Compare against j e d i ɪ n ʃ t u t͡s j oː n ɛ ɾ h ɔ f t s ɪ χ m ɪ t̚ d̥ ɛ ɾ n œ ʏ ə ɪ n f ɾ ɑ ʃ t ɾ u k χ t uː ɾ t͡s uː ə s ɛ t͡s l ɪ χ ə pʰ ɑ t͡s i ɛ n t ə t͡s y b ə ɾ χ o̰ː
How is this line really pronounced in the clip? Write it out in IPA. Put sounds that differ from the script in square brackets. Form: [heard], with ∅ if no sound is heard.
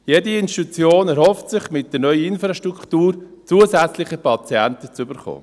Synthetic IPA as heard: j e d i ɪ n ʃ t u t͡s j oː n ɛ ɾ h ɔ f t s ɪ χ m ɪ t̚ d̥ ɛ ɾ n œ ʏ ə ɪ n f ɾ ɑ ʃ t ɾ u k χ t uː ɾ t͡s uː ə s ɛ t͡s l ɪ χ ə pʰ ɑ t͡s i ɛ n t ə t͡s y b ə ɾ χ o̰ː